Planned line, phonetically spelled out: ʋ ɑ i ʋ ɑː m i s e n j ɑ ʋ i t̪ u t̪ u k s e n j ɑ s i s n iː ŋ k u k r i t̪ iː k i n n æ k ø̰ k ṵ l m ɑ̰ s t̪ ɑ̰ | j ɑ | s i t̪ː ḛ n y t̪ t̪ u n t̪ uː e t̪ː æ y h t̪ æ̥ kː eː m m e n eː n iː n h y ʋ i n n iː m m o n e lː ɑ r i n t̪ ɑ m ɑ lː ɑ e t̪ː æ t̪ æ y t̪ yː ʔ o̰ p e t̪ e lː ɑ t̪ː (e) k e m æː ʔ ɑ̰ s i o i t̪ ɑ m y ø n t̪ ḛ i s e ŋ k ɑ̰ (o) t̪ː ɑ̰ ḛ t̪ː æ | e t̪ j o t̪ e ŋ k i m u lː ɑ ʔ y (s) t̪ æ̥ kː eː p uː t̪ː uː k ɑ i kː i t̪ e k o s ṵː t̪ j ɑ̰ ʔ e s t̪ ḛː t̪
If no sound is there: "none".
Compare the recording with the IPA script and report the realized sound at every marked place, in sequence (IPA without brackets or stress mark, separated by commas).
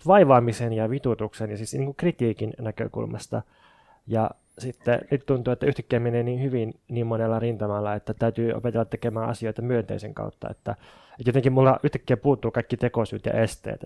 e, u, h